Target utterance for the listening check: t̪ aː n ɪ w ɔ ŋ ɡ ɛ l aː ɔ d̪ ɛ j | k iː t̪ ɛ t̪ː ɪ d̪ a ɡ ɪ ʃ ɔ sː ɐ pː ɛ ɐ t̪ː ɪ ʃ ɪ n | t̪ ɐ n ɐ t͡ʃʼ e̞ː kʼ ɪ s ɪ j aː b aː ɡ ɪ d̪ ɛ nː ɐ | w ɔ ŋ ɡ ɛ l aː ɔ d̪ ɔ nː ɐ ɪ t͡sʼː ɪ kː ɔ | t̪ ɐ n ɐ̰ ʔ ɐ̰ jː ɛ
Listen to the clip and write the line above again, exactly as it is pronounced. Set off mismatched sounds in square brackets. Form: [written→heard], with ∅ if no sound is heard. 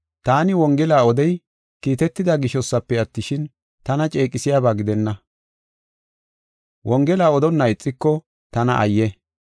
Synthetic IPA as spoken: t̪ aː n ɪ w ɔ ŋ ɡ ɛ l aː ɔ d̪ ɛ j | k iː t̪ ɛ t̪ː ɪ d̪ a ɡ ɪ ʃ ɔ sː ɐ pː ɛ ɐ t̪ː ɪ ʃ ɪ n | t̪ ɐ n ɐ t͡ʃʼ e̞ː kʼ ɪ s ɪ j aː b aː ɡ ɪ d̪ ɛ nː ɐ | w ɔ ŋ ɡ ɛ l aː ɔ d̪ ɔ nː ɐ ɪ t͡sʼː ɪ kː ɔ | t̪ ɐ n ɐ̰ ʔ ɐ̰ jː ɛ